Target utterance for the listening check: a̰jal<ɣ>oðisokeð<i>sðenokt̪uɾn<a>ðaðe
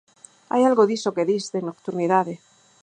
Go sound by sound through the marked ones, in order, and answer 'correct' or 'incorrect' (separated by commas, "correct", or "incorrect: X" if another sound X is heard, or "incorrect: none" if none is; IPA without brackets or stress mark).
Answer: correct, correct, incorrect: i